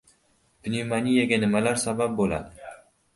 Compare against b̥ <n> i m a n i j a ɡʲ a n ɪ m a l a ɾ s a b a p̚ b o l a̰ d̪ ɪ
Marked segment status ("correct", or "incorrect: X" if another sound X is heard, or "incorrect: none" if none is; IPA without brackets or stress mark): correct